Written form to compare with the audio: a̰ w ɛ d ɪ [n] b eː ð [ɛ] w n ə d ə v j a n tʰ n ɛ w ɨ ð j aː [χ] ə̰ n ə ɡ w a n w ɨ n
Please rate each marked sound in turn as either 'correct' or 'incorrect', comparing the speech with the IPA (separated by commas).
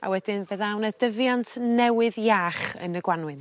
correct, incorrect, correct